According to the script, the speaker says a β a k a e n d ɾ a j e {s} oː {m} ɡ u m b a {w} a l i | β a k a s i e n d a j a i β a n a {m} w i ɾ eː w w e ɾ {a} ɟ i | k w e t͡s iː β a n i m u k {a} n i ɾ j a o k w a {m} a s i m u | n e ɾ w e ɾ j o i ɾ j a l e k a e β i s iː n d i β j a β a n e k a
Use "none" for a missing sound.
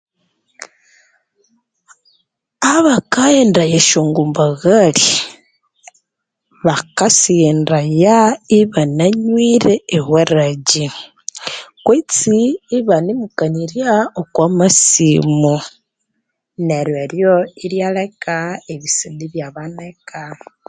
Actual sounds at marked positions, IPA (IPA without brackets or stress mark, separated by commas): ʃ, ŋ, ɣ, ɲ, a, a, m